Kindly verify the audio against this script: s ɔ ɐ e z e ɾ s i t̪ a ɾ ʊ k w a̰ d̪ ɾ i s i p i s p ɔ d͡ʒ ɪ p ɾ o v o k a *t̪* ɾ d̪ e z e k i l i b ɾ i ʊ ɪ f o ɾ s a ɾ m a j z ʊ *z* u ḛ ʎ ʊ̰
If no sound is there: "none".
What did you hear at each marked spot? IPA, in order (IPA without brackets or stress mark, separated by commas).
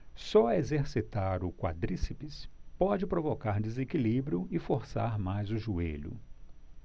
none, ʒ